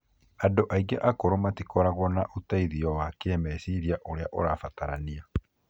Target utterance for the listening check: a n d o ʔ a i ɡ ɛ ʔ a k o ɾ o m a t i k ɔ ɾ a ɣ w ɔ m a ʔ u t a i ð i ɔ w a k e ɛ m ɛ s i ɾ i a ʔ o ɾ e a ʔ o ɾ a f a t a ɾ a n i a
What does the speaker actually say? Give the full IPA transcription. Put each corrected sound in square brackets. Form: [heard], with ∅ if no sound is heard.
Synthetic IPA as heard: a n d o ʔ a i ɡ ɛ ʔ a k o ɾ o m a t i k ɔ ɾ a ɣ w ɔ [n] a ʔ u t a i ð i ɔ w a k e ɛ m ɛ s i ɾ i a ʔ o ɾ e a ʔ o ɾ a f a t a ɾ a n i a